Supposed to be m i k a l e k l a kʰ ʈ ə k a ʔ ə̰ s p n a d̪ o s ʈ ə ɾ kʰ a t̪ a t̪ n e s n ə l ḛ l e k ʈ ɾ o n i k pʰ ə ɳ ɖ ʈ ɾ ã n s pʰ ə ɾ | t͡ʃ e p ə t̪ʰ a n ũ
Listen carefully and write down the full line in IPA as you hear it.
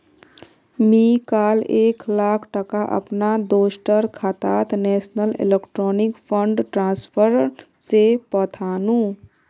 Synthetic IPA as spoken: m i k a l e k l a kʰ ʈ ə k a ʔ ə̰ p n a d̪ o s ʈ ə ɾ kʰ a t̪ a t̪ n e s n ə l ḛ l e k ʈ ɾ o n i k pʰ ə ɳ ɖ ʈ ɾ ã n s pʰ ə ɾ | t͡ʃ e p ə t̪ʰ a n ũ